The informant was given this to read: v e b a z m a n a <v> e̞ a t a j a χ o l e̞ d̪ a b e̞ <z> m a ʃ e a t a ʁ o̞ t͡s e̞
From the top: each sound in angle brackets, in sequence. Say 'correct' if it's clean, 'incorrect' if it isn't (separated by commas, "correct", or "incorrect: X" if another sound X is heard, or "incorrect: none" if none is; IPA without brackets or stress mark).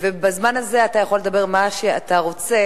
incorrect: z, incorrect: ʁ